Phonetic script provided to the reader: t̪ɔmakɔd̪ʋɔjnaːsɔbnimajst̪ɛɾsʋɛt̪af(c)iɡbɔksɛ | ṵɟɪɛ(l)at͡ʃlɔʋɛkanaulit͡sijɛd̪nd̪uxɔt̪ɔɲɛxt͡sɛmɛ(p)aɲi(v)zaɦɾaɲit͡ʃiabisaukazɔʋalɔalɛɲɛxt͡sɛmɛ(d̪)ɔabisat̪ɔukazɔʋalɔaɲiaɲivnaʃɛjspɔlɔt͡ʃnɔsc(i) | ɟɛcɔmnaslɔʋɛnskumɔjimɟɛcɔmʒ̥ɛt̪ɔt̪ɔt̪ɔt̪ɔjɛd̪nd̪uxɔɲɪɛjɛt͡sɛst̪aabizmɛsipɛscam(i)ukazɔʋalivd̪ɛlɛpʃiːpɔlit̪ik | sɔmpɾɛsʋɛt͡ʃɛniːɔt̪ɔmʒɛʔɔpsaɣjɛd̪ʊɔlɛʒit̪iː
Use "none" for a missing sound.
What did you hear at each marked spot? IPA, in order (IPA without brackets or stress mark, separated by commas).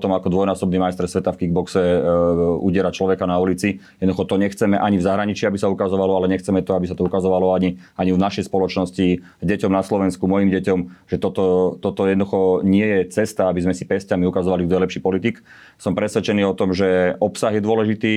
k, ɾ, ʔ, v, t̪, i, i